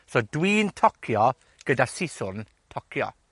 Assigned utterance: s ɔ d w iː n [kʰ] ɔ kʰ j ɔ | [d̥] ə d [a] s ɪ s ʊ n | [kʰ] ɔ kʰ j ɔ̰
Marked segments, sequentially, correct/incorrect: incorrect, incorrect, correct, incorrect

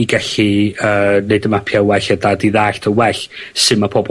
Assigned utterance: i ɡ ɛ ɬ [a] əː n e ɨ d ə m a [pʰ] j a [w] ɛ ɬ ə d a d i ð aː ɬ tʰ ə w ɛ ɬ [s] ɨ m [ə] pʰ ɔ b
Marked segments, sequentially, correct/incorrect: incorrect, correct, correct, correct, incorrect

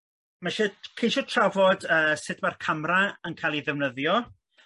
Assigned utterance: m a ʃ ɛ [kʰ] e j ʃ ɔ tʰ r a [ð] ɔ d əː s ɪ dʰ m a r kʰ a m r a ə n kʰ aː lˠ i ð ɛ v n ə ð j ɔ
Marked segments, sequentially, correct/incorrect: correct, incorrect

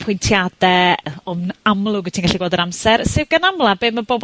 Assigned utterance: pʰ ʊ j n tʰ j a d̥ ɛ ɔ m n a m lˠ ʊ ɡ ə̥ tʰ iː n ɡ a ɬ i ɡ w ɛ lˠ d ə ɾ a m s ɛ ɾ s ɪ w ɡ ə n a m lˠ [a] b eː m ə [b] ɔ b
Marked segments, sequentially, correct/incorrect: correct, correct

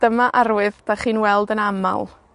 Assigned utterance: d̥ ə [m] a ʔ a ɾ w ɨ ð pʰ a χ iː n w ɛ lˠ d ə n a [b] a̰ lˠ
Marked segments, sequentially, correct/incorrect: correct, incorrect

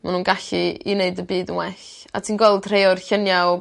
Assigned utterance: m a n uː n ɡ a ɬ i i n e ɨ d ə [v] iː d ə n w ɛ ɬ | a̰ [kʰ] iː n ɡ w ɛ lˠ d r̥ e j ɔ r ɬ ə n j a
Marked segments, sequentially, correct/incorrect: incorrect, incorrect

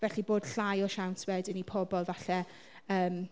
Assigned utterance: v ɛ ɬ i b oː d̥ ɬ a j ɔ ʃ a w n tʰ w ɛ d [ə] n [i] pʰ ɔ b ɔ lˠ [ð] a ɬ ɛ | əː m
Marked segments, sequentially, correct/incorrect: correct, correct, incorrect

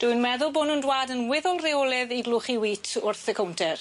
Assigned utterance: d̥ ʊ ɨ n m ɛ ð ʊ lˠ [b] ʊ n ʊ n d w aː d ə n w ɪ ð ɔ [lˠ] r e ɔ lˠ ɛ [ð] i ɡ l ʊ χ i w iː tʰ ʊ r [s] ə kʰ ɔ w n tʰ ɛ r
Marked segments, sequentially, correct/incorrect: correct, correct, correct, incorrect

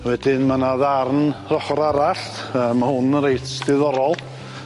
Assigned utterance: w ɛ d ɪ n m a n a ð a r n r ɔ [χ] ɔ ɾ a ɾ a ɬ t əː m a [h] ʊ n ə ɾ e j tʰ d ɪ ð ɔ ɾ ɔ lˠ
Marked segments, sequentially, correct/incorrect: correct, correct

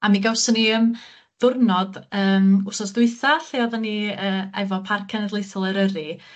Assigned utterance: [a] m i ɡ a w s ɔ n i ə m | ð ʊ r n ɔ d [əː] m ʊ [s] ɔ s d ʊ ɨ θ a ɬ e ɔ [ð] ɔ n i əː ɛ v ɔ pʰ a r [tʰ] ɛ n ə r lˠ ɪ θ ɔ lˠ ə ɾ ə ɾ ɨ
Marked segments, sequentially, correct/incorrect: correct, correct, correct, correct, incorrect

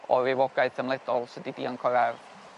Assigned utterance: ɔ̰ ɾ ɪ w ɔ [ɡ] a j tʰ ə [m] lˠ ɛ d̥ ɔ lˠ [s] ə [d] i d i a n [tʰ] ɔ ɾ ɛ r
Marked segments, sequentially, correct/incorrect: correct, correct, correct, correct, incorrect

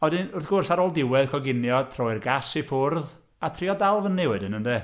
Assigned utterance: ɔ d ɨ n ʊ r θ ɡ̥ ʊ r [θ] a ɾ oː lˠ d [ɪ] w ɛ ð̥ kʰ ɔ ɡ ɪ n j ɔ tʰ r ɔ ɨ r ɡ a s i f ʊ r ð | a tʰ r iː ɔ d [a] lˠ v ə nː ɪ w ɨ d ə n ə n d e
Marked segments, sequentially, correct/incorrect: incorrect, correct, correct

